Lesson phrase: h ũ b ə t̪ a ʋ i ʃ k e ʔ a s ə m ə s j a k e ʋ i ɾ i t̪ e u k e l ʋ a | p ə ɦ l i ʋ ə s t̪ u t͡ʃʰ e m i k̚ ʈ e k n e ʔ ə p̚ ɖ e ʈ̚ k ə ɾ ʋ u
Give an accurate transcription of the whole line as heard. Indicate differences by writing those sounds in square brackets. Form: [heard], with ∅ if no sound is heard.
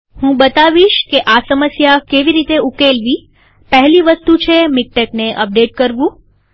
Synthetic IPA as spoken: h ũ b ə t̪ a ʋ i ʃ k e ʔ a s ə m ə s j a k e ʋ i ɾ i t̪ e u k e l ʋ [i] | p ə ɦ l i ʋ ə s t̪ u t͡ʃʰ e m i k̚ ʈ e k n e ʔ ə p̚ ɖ e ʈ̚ k ə ɾ ʋ [ũ]